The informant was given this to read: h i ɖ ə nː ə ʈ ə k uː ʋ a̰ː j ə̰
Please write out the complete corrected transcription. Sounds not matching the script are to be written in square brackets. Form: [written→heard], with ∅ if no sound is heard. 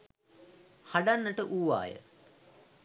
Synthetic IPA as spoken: h [i→a] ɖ [ə→a] nː ə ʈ ə [k→ʔ] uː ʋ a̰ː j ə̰